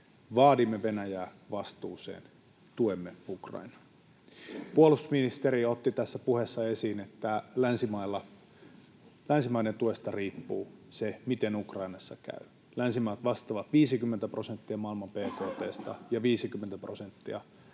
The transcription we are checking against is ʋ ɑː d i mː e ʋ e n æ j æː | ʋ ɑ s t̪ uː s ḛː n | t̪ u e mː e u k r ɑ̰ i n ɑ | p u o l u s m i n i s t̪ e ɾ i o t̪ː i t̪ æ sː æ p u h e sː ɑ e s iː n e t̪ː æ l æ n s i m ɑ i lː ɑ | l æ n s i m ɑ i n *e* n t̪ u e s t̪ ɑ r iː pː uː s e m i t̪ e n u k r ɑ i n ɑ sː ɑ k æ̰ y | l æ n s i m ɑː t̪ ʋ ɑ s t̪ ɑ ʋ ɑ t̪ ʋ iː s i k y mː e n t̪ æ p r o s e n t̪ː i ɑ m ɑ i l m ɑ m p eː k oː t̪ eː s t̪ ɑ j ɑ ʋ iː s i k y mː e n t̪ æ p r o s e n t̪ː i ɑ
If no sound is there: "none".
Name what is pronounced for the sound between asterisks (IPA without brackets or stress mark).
e